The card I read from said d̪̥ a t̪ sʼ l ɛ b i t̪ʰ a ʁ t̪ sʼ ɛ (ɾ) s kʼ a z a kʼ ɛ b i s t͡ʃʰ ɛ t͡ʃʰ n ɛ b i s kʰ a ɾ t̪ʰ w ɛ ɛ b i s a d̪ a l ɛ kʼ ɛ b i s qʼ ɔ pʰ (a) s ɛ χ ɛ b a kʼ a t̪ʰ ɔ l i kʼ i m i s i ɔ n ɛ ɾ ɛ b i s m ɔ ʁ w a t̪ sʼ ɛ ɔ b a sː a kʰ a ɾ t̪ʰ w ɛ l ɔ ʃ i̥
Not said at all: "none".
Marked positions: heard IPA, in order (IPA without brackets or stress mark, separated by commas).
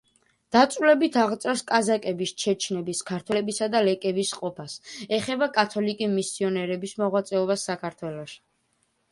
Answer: ɾ, a